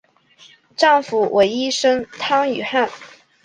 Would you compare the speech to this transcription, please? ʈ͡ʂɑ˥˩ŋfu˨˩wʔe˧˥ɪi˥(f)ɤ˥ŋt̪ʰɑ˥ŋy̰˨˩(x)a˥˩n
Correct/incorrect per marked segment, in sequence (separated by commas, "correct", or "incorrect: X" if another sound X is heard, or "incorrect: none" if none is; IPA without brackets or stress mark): incorrect: ʂ, correct